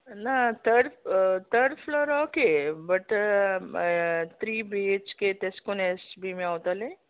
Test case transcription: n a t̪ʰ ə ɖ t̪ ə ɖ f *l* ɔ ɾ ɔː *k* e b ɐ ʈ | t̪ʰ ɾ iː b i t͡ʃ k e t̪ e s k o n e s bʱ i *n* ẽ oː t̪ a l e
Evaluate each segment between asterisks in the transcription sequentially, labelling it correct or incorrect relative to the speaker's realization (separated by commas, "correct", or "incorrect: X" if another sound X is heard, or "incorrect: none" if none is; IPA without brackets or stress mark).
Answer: correct, correct, incorrect: m